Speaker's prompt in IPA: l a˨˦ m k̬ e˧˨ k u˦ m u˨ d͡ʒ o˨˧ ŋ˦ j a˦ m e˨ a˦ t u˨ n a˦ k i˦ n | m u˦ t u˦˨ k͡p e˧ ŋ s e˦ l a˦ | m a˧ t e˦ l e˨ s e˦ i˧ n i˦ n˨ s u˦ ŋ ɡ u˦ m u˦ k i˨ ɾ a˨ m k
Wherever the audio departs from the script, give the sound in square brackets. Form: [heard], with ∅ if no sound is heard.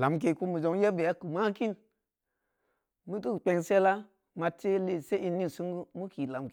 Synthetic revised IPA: l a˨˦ m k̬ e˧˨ k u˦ m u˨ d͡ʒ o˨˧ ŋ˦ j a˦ [b] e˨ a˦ [k] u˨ [m] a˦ k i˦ n | m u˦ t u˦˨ k͡p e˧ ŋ s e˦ l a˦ | m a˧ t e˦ l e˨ s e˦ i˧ n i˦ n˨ s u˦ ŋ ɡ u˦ m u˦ k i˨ [l] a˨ m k